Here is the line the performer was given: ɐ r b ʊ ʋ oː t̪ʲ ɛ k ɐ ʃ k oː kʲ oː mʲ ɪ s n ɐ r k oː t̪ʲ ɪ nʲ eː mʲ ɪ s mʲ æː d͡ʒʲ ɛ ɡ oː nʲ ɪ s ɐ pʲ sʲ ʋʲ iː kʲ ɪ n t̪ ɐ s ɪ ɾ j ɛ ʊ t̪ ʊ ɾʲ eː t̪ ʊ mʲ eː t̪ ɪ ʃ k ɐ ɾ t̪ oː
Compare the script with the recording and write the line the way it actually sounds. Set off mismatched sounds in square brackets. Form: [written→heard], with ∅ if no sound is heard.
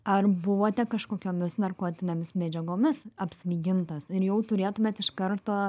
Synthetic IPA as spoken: ɐ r b ʊ ʋ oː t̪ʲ ɛ k ɐ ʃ k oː kʲ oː mʲ ɪ s n ɐ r k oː t̪ʲ ɪ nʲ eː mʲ ɪ s mʲ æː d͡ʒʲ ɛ ɡ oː [nʲ→mʲ] ɪ s ɐ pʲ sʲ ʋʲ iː [kʲ→ɡʲ] ɪ n t̪ ɐ s ɪ ɾ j ɛ ʊ t̪ ʊ ɾʲ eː t̪ ʊ mʲ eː t̪ ɪ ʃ k ɐ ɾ t̪ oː

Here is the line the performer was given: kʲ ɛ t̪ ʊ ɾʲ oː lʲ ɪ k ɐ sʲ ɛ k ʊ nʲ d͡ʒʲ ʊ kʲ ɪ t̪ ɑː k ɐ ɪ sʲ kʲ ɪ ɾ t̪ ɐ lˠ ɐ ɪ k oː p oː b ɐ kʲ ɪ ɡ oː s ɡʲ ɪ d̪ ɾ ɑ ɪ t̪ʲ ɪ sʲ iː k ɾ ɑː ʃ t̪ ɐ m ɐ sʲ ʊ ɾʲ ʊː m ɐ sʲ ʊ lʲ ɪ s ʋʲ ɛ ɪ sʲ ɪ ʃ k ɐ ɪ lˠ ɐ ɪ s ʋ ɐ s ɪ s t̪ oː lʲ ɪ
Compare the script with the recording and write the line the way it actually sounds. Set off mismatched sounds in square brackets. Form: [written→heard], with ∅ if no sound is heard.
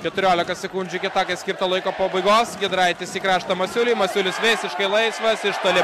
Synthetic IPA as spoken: kʲ ɛ t̪ ʊ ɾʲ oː lʲ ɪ k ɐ sʲ ɛ k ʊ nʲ d͡ʒʲ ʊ kʲ ɪ t̪ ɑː k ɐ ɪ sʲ kʲ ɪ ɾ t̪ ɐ lˠ ɐ ɪ k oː p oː b ɐ [kʲ→∅] ɪ ɡ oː s ɡʲ ɪ d̪ ɾ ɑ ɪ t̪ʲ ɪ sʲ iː k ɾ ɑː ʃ t̪ ɐ m ɐ sʲ ʊ [ɾʲ→lʲ] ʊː m ɐ sʲ ʊ lʲ ɪ s ʋʲ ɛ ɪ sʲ ɪ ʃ k ɐ ɪ lˠ ɐ ɪ s ʋ ɐ s ɪ [s→ʃ] t̪ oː lʲ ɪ

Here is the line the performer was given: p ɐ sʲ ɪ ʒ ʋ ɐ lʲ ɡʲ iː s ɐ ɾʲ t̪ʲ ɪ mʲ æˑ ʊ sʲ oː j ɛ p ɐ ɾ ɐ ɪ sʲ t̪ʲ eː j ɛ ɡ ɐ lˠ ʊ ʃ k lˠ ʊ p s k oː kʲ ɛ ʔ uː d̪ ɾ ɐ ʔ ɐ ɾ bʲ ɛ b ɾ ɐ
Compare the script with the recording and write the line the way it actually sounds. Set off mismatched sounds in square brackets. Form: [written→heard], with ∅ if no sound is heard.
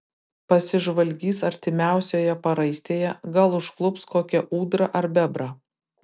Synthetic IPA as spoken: p ɐ sʲ ɪ ʒ ʋ ɐ lʲ ɡʲ iː s ɐ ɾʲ t̪ʲ ɪ mʲ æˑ ʊ sʲ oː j ɛ p ɐ ɾ ɐ ɪ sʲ t̪ʲ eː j ɛ ɡ ɐ lˠ ʊ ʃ k lˠ ʊ p s k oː kʲ ɛ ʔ uː d̪ ɾ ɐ ʔ ɐ ɾ bʲ ɛ b ɾ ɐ

